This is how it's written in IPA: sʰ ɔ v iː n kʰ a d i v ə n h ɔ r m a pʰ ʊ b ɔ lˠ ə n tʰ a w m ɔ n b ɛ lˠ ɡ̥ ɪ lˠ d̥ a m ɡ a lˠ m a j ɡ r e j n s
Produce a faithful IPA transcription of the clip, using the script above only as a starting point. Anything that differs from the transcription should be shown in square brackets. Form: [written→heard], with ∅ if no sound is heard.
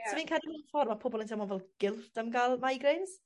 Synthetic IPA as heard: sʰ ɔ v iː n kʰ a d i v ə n [h→f] ɔ r m a pʰ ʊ b ɔ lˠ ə n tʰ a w m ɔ n [b→v] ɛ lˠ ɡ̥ ɪ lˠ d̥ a m ɡ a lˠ m a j ɡ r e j n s